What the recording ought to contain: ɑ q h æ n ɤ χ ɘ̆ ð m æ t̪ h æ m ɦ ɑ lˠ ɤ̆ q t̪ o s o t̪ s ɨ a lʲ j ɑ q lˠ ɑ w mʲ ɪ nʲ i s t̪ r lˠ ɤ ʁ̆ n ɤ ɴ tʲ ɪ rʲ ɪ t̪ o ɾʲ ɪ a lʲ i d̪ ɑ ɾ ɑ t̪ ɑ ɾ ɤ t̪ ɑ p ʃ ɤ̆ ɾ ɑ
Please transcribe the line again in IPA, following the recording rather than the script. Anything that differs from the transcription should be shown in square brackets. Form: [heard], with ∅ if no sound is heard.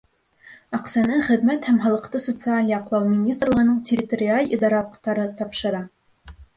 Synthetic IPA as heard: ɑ q [s] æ n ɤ χ ɘ̆ ð m æ t̪ h æ m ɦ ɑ lˠ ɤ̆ q t̪ [ɤ] s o t̪ s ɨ a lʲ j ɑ q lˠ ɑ w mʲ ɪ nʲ i s t̪ r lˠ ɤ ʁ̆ n ɤ ɴ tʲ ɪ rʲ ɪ t̪ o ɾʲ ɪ a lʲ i d̪ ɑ ɾ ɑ t̪ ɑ ɾ ɤ t̪ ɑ p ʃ ɤ̆ ɾ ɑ